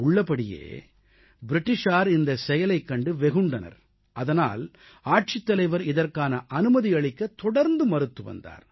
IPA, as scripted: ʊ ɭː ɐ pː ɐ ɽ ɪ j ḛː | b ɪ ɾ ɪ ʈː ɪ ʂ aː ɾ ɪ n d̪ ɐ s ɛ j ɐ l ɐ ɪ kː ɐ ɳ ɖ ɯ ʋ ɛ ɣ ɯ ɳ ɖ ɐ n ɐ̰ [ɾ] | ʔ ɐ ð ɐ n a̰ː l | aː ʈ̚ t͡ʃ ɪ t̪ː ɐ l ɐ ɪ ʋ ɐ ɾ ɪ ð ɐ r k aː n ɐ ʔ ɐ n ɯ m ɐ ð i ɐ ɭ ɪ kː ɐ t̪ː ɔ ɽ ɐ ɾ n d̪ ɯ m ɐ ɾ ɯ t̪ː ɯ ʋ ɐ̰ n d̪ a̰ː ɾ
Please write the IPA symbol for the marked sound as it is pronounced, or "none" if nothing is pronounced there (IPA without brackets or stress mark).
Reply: ɾ